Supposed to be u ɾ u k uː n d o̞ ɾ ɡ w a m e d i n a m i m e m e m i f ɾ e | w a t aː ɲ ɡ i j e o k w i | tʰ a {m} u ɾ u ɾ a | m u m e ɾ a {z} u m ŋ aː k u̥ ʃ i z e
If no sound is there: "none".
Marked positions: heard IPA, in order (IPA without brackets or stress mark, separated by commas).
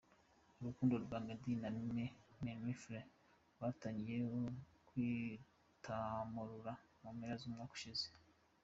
m, z